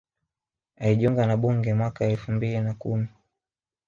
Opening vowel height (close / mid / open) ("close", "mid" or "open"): open